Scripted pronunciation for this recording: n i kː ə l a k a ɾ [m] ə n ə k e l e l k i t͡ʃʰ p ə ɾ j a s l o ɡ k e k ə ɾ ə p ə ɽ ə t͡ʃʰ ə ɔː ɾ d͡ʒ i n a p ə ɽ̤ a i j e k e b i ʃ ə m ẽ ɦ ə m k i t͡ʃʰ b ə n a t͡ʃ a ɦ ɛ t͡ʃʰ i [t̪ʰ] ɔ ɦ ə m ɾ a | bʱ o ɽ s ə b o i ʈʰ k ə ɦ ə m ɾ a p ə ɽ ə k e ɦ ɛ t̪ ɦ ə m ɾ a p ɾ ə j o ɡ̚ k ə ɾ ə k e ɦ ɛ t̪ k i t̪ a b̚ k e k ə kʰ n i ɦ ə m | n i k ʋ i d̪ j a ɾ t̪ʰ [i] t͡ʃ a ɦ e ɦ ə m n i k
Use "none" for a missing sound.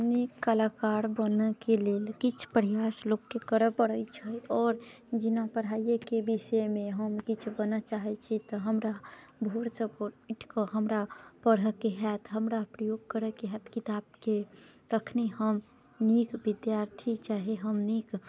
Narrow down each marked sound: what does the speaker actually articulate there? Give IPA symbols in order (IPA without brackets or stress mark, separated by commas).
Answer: b, t̪, i